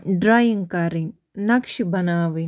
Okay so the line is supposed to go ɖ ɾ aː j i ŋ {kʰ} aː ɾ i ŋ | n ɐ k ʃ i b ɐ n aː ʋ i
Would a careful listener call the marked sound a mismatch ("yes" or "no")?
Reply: yes